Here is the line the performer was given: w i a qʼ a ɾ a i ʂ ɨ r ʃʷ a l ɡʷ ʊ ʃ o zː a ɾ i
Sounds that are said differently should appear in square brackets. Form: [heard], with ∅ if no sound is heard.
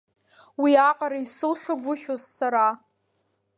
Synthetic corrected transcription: w i a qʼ a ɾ a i [s] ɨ [l] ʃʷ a [∅] ɡʷ ʊ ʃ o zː a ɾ [a]